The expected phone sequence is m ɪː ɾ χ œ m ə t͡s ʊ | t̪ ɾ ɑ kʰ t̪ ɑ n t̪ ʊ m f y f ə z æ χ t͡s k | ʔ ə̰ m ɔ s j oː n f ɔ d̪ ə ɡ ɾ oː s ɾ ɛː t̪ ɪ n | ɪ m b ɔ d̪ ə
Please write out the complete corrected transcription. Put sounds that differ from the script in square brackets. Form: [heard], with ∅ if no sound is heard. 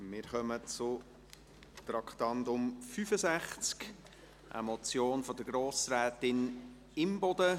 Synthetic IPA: m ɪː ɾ χ œ m ə t͡s ʊ | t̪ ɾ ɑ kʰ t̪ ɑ n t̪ ʊ m f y f ə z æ χ t͡s k | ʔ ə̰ m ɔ [t͡s] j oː n f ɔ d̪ ə ɡ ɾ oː s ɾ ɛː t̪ ɪ n | ɪ m b ɔ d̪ ə